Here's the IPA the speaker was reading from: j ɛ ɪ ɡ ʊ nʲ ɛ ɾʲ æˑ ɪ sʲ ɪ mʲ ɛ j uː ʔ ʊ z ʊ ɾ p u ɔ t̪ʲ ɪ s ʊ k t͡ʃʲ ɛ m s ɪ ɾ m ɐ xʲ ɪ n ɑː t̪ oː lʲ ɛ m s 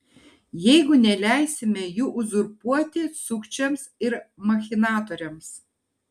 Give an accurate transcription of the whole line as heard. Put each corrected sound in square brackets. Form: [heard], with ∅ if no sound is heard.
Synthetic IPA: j ɛ ɪ ɡ ʊ nʲ ɛ [lʲ] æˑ ɪ sʲ ɪ mʲ ɛ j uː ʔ ʊ z ʊ ɾ p u ɔ t̪ʲ ɪ s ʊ k t͡ʃʲ ɛ m s ɪ ɾ m ɐ xʲ ɪ n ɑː t̪ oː [ɾʲ] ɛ m s